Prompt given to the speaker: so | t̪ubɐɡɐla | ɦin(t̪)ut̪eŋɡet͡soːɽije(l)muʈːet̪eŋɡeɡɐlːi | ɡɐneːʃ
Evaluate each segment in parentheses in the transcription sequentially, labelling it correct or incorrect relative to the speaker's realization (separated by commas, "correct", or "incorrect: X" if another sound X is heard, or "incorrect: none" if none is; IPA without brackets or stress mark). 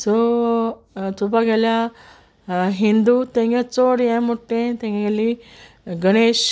incorrect: d̪, incorrect: none